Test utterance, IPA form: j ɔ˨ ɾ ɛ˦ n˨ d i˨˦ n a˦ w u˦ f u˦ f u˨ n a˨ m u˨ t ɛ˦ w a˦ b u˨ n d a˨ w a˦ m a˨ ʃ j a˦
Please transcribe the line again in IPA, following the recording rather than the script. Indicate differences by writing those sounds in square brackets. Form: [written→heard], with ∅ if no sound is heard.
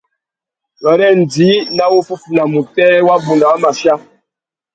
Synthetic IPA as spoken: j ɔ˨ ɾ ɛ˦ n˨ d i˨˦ n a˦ w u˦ f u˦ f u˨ n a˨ m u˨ t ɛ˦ w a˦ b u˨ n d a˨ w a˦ m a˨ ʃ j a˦